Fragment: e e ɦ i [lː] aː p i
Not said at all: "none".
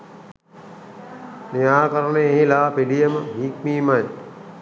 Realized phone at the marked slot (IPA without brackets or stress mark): l